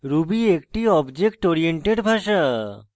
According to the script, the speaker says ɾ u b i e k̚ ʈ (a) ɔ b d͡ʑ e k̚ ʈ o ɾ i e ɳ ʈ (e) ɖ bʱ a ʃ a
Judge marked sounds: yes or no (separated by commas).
no, yes